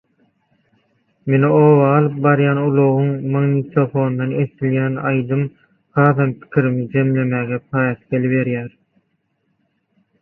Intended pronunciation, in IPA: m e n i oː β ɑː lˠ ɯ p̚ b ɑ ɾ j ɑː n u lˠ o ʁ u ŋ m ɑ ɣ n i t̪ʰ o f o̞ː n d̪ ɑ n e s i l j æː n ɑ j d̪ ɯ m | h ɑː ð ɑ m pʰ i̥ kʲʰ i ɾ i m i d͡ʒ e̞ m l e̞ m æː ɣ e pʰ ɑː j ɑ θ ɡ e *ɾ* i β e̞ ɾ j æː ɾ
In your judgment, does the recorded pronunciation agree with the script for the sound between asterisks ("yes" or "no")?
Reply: no